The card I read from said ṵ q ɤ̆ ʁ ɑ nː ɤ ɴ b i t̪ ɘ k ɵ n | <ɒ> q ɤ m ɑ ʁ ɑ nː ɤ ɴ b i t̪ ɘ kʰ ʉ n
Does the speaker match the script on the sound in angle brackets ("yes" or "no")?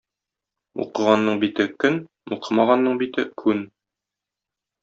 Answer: no